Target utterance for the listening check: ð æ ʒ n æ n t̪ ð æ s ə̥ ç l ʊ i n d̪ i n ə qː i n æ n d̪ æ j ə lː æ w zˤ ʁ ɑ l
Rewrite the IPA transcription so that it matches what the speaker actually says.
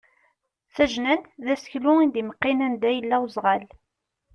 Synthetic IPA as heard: θ æ ʒ n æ n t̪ ð æ s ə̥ ç l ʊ i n d̪ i m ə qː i n æ n d̪ æ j ə lː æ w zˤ ʁ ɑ l